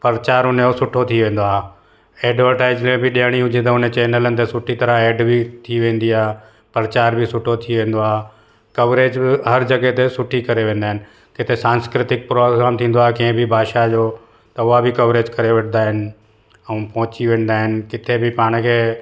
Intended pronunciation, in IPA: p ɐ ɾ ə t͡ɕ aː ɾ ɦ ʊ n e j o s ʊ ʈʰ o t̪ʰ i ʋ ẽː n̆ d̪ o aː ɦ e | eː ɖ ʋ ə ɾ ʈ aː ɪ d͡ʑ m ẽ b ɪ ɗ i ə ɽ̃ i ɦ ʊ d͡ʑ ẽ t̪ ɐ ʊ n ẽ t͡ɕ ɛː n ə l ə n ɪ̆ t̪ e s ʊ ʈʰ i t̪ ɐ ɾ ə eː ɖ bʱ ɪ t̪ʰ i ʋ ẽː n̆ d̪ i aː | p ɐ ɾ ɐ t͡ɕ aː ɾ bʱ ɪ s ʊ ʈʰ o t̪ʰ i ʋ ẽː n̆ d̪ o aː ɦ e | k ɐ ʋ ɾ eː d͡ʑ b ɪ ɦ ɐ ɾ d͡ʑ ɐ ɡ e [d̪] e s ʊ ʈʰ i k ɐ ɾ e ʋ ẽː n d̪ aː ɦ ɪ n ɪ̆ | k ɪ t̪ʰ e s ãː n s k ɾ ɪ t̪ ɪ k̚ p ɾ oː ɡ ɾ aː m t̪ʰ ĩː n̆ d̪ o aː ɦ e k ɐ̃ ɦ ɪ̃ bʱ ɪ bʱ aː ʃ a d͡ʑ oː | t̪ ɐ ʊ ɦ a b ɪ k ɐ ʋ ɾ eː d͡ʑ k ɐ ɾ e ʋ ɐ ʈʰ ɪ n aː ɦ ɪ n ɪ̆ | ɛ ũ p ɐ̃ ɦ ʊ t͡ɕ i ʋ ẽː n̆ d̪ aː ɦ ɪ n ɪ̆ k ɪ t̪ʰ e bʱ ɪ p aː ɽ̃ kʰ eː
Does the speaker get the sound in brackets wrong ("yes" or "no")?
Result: yes